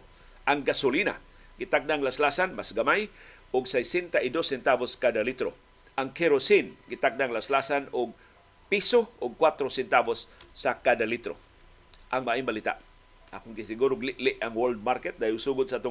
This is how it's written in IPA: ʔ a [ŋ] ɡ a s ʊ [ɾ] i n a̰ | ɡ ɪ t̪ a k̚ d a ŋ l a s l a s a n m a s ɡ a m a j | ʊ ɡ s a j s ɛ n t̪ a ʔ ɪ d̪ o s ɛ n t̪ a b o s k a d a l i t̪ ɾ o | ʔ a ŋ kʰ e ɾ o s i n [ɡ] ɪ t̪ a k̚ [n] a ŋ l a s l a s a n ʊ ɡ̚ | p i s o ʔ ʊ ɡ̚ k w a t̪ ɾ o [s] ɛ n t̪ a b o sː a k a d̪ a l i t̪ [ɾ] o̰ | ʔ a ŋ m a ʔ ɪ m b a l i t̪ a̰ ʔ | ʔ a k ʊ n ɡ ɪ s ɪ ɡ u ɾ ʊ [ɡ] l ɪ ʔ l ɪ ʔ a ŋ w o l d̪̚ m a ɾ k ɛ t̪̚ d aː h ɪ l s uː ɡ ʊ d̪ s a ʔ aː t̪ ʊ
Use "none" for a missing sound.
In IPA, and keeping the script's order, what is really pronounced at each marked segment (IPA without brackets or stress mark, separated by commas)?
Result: ŋ, l, ɡ, d, s, ɾ, ɡ